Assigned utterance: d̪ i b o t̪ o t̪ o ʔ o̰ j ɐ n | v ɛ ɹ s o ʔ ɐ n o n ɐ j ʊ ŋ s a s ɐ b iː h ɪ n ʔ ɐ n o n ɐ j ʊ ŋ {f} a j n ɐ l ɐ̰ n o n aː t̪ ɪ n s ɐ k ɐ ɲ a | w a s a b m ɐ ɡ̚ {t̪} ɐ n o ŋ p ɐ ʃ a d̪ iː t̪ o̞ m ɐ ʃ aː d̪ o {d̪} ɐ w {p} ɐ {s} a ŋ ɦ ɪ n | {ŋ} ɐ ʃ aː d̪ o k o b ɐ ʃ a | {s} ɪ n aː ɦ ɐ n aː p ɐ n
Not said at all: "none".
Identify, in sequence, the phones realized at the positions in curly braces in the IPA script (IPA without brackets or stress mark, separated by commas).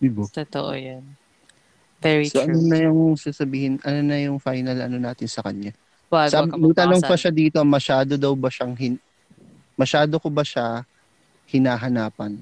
f, t̪, d̪, b, ʃ, m, h